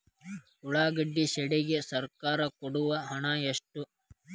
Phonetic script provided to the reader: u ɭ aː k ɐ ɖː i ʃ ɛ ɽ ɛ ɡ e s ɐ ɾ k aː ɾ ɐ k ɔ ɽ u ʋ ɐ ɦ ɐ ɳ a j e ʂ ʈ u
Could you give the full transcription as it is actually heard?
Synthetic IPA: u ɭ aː ɡ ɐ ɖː i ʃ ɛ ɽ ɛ ɡ e s ɐ ɾ k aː ɾ ɐ k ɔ ɽ u ʋ ɐ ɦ ɐ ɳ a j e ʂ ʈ u